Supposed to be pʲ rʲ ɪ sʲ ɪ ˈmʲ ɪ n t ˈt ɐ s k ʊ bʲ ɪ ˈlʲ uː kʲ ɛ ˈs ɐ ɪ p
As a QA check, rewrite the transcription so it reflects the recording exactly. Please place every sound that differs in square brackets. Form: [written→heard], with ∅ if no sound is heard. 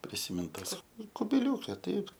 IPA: pʲ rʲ ɪ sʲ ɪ ˈmʲ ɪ n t ˈt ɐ s k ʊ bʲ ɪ ˈlʲ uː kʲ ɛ [ˈs→ˈt] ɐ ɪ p